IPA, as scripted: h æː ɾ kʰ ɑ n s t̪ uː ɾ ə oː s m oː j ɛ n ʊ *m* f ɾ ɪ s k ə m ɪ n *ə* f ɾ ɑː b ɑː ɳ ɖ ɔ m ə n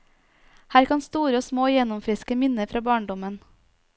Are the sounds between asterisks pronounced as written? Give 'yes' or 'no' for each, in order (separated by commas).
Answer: yes, yes